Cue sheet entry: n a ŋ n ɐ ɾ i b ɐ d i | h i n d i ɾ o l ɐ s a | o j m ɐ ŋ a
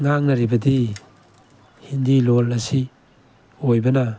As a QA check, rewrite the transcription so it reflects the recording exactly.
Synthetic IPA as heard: ŋ a ŋ n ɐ ɾ i b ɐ d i | h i n d i l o l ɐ s i | o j b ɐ n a